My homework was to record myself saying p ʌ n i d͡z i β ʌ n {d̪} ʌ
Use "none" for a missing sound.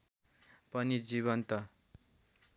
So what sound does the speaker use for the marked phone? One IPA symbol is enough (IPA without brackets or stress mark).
t̪